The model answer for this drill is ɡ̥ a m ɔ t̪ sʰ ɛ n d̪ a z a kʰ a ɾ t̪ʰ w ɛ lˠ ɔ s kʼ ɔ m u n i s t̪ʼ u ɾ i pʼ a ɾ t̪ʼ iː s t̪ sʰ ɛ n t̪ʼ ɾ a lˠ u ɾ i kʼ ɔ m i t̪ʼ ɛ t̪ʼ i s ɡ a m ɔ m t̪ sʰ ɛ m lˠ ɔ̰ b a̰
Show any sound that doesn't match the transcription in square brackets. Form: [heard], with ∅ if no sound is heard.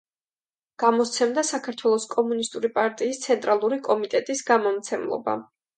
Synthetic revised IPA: ɡ̥ a m ɔ t̪ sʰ ɛ [m] d̪ a [s] a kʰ a ɾ t̪ʰ w ɛ lˠ ɔ s kʼ ɔ m u n i s t̪ʼ u ɾ i pʼ a ɾ t̪ʼ iː s t̪ sʰ ɛ n t̪ʼ ɾ a lˠ u ɾ i kʼ ɔ m i t̪ʼ ɛ t̪ʼ i s ɡ a m ɔ m t̪ sʰ ɛ m lˠ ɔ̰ b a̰